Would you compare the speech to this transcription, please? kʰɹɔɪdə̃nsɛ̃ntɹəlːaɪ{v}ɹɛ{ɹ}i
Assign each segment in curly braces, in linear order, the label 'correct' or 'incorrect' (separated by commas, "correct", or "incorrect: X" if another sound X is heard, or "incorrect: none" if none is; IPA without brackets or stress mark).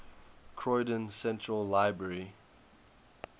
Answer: incorrect: b, correct